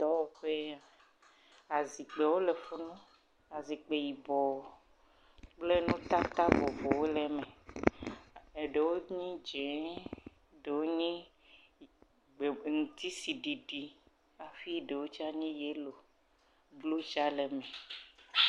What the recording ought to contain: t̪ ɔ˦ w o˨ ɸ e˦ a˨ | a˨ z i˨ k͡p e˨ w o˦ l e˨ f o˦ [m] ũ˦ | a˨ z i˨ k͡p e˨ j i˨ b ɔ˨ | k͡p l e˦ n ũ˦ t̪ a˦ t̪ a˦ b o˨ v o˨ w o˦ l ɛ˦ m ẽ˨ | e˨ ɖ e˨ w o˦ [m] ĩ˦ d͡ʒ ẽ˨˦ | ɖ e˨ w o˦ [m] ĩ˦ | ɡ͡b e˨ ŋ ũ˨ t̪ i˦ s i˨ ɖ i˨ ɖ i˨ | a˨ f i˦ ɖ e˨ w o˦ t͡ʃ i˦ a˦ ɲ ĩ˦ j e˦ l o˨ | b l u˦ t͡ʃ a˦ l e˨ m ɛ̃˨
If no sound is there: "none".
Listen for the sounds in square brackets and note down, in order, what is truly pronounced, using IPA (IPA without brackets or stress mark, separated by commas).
n, ɲ, ɲ